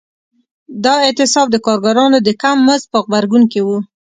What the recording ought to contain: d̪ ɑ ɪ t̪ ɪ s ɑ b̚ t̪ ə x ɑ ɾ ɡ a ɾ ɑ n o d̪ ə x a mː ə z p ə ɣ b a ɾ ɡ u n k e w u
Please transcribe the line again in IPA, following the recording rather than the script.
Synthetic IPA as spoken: d̪ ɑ ɪ t̪ ɪ s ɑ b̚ d̪ ə k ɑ ɾ ɡ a ɾ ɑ n o d̪ ə k a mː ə z p ə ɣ b a ɾ ɡ u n k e w u

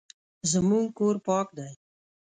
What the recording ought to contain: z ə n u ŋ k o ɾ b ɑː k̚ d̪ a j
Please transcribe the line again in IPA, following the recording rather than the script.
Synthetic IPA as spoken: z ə m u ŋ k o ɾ p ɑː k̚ d̪ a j

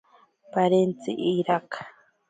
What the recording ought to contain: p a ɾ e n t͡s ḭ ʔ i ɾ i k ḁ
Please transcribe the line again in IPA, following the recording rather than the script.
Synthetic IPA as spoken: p a ɾ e n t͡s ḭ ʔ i ɾ a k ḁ

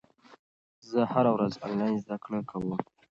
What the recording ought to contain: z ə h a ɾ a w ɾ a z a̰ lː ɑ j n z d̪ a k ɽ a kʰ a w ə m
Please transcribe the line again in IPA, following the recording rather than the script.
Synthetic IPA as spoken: z ə h a ɾ a w ɾ a z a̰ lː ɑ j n z d̪ a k ɽ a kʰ a w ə m

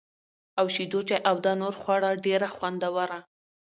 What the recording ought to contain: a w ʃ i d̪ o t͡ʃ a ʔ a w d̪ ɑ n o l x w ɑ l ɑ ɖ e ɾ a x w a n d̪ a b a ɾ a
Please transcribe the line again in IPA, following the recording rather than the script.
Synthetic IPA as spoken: a w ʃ i d̪ o t͡ʃ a ʔ a w d̪ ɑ n o ɾ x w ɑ ɽ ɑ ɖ e ɾ a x w a n d̪ a w a ɾ a

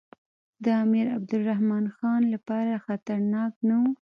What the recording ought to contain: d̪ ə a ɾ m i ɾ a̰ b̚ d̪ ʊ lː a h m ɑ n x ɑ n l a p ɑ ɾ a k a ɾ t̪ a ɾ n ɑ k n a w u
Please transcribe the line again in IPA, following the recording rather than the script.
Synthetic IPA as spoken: d̪ ə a m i ɾ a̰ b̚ d̪ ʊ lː a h m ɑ n x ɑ n l a p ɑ ɾ a x a t̪ a ɾ n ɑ k n a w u

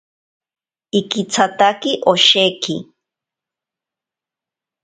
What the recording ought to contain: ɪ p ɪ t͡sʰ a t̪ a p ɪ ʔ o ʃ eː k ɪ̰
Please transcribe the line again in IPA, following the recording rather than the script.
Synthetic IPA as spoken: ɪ k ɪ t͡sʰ a t̪ a k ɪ ʔ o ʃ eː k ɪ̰

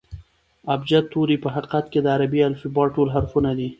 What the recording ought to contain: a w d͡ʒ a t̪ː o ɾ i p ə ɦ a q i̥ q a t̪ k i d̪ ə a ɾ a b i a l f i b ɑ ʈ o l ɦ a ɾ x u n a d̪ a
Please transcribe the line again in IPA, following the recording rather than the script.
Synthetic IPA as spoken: a b d͡ʒ a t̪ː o ɾ i p ə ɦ a q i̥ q a t̪ k e d̪ ə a ɾ a b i a l f i b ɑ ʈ o l ɦ a ɾ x u n a d̪ i

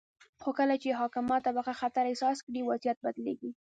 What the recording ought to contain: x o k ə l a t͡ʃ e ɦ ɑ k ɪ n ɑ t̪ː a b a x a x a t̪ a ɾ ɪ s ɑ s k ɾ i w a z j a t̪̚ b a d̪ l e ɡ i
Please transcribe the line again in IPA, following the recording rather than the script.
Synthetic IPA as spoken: x o k ə l a t͡ʃ e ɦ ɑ k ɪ m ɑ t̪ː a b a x a x a t̪ a ɾ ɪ s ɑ s k ɽ i w a z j a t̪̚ b a d̪ l e ɡ i

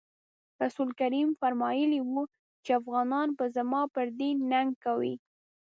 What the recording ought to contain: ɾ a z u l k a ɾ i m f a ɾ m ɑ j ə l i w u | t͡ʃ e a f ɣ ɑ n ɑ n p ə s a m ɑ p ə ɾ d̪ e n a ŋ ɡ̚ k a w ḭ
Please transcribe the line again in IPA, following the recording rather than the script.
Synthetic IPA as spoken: ɾ a s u l k a ɾ i m f a ɾ m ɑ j ə l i w u | t͡ʃ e a f ɣ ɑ n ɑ n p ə z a m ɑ p ə ɾ d̪ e n a ŋ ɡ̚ k a w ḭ

